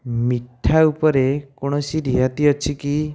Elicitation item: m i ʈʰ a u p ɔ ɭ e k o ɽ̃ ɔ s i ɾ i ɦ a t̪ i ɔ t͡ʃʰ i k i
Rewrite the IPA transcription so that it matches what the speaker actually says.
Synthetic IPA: m i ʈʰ a u p ɔ ɾ e k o ɽ̃ ɔ s i ɾ i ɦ a t̪ i ɔ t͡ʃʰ i k i